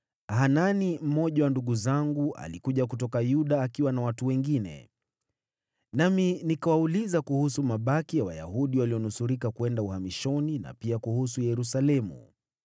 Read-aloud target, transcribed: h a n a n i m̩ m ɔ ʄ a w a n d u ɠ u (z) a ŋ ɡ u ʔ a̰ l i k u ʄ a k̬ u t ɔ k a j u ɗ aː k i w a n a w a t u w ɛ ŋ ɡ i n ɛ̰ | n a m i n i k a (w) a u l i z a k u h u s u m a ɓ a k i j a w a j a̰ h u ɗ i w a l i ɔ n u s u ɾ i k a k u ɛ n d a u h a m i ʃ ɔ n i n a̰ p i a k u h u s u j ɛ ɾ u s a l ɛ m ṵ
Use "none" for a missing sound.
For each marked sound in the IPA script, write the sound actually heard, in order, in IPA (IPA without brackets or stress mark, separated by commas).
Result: z, w